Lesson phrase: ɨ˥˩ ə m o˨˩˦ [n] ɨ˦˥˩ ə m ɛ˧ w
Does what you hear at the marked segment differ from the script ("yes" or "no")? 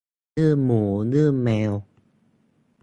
no